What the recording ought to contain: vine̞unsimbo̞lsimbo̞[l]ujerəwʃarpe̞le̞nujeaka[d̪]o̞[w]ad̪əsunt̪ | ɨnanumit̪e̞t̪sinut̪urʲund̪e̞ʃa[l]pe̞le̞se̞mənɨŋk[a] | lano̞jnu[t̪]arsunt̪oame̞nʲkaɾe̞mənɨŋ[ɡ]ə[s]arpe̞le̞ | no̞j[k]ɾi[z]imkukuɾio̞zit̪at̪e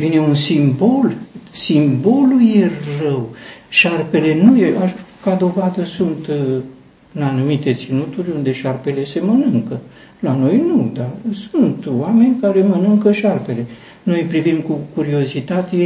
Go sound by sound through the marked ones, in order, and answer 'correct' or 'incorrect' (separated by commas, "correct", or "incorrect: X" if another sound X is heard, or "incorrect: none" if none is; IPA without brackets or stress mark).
correct, correct, incorrect: v, incorrect: r, incorrect: ə, incorrect: d̪, incorrect: k, incorrect: ʃ, incorrect: p, incorrect: v